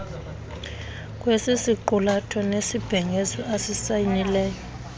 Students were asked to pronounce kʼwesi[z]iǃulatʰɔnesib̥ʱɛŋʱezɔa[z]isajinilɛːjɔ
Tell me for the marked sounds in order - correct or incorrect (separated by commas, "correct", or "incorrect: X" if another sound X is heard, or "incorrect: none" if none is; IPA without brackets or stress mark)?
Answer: incorrect: s, incorrect: s